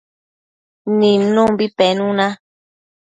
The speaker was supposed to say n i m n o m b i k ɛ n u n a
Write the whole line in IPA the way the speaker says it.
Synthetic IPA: n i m n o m b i p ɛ n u n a